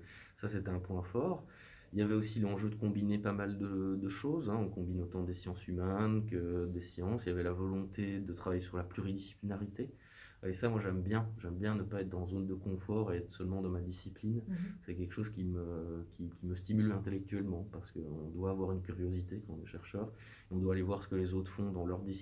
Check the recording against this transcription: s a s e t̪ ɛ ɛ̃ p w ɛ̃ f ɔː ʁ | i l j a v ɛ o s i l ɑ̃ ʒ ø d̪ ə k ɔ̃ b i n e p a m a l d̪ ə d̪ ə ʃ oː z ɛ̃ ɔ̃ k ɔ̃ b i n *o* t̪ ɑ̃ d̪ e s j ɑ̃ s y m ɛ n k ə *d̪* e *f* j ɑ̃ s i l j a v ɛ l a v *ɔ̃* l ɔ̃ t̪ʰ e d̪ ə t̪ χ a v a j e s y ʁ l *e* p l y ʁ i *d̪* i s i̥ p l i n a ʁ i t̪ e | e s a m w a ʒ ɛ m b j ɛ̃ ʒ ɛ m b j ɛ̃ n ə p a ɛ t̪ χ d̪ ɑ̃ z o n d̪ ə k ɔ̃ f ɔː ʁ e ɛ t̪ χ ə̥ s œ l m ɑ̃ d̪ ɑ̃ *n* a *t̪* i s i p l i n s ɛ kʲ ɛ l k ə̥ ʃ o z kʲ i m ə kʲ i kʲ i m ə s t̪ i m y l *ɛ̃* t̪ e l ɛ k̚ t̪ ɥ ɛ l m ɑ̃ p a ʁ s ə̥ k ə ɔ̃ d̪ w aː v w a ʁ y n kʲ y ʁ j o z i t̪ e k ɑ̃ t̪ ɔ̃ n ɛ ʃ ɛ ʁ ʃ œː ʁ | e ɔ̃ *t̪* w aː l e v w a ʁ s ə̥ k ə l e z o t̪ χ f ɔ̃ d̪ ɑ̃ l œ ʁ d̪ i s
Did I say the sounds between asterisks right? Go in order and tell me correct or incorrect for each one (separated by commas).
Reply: correct, correct, incorrect, incorrect, incorrect, correct, incorrect, incorrect, correct, incorrect